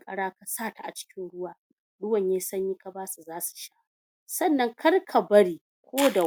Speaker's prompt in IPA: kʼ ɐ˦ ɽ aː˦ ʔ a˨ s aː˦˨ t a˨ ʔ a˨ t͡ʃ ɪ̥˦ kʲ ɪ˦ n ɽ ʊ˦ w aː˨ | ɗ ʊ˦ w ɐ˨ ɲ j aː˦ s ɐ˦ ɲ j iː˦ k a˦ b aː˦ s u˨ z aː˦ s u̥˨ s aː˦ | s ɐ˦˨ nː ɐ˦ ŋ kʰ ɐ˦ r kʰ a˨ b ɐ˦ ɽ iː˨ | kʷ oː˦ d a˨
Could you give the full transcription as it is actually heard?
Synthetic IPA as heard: kʼ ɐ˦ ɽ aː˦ k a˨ s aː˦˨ t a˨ ʔ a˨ t͡ʃ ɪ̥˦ kʲ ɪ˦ n ɽ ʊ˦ w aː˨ | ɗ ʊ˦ w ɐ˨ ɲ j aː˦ s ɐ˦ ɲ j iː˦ k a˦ b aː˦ s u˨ z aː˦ s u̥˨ ʃ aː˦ | s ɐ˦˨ nː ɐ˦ ŋ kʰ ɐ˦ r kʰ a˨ b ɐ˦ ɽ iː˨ | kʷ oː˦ d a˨